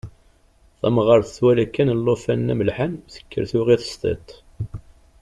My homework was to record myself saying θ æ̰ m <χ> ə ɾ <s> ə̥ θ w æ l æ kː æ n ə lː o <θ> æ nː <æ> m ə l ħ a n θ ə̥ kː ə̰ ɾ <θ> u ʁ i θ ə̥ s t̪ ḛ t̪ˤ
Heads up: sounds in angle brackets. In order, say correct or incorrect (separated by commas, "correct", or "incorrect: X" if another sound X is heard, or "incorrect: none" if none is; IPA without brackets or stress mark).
incorrect: ʁ, incorrect: θ, incorrect: f, correct, correct